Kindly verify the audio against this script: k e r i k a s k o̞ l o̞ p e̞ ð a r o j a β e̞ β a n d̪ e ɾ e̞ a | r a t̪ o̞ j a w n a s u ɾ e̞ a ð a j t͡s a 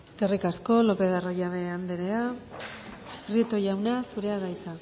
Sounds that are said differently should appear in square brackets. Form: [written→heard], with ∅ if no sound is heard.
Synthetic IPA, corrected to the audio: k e r i k a s k o̞ l o̞ p e̞ ð a r o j a β e̞ [β→∅] a n d̪ e ɾ e̞ a | r [a→i] t̪ o̞ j a w n a s u ɾ e̞ a ð a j t͡s a